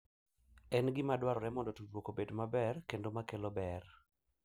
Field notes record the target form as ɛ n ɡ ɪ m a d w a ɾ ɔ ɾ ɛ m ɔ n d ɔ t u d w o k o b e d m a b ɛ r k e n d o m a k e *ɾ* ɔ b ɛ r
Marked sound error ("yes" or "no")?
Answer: yes